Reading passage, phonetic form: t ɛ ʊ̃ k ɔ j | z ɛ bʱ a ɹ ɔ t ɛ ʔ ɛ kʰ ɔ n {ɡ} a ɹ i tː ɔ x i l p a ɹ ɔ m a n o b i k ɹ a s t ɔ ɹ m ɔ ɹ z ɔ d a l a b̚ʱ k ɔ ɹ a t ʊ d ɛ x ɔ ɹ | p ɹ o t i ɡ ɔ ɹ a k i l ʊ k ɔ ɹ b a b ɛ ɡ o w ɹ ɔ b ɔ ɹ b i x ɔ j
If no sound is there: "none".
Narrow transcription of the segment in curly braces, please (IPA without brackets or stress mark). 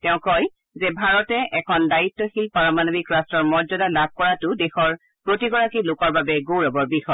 d